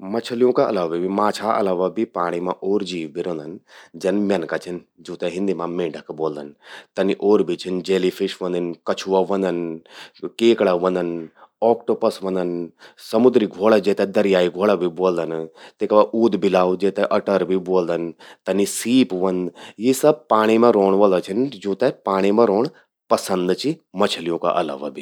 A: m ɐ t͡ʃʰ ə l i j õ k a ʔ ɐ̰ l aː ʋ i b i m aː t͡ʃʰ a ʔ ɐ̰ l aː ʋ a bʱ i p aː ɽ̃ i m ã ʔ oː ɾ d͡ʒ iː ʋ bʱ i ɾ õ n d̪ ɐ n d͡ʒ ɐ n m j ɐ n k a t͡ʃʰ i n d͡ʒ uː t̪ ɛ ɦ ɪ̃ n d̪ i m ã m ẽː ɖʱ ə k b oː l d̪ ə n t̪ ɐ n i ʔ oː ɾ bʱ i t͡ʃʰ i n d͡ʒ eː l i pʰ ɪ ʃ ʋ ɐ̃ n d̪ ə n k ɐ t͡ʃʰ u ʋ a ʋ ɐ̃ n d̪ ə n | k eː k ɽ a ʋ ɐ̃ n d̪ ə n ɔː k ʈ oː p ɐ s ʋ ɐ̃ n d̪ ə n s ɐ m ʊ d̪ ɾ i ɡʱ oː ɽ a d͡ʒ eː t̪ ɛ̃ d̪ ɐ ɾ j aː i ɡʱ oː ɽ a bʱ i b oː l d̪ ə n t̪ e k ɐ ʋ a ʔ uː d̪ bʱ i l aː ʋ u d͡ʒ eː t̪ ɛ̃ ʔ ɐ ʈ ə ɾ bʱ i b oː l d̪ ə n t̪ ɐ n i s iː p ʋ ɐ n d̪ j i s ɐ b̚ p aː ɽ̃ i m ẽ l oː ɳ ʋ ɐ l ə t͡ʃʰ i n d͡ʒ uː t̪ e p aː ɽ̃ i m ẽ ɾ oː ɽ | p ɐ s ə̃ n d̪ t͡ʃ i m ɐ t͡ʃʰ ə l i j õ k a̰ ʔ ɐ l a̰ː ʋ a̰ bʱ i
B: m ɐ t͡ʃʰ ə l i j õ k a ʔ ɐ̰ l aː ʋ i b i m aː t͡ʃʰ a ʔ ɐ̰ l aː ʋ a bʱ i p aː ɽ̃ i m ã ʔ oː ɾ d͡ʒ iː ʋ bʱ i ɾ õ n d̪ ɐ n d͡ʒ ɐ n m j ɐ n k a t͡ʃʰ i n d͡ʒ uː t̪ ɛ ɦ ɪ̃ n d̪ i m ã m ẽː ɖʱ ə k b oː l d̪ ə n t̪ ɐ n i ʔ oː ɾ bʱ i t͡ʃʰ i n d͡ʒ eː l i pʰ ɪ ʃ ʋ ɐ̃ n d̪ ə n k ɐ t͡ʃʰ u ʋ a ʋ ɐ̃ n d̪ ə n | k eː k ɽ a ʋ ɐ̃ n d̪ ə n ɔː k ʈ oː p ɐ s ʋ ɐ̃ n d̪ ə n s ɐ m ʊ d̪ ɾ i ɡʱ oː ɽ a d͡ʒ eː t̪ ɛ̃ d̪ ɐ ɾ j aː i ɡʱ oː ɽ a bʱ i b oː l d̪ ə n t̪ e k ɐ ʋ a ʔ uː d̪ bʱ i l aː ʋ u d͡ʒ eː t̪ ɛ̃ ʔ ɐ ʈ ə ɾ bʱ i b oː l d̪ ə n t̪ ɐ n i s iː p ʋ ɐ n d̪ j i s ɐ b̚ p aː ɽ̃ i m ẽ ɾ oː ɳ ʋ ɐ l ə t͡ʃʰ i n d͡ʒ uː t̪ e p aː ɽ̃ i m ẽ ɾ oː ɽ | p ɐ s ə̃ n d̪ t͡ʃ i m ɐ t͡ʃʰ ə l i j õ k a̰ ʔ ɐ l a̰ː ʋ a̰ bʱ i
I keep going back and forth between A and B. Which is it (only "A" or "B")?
B